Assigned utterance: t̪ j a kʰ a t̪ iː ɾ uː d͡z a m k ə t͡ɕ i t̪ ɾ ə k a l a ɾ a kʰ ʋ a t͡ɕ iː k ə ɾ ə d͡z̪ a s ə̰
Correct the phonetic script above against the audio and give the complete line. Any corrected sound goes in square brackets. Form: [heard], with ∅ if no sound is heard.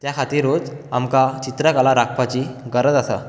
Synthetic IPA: t̪ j a kʰ a t̪ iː ɾ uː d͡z a m k [a] t͡ɕ i t̪ ɾ ə k a l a ɾ a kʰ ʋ a t͡ɕ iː [ɡ] ə ɾ ə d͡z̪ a s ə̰